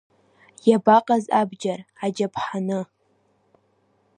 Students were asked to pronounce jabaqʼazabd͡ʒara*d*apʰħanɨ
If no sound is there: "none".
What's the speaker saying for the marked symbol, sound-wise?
d͡ʒ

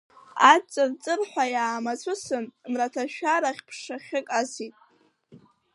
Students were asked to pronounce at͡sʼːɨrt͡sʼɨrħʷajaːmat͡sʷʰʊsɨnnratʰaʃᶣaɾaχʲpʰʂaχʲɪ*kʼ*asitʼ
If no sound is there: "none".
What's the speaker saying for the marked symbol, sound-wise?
kʼ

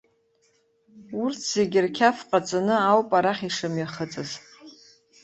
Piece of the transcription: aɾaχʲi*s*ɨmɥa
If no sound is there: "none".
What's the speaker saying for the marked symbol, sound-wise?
ʂ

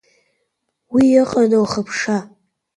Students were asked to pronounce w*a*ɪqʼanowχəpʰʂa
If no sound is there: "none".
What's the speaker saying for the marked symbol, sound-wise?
i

